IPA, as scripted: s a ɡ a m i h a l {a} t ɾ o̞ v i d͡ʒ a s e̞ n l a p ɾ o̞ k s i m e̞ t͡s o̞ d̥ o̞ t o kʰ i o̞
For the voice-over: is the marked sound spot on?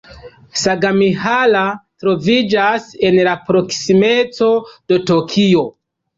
yes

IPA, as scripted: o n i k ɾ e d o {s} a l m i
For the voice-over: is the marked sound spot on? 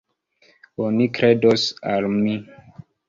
yes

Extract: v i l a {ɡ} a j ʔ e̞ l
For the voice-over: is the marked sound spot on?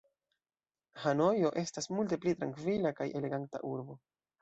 no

